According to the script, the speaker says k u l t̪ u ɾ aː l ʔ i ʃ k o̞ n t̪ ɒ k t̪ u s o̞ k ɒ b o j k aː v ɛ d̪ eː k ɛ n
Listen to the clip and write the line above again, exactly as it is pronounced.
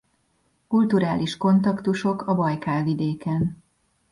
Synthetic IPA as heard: k u l t̪ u ɾ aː l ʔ i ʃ k o̞ n t̪ ɒ k t̪ u ʃ o̞ k ɒ b ɒ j k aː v i d̪ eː k ɛ n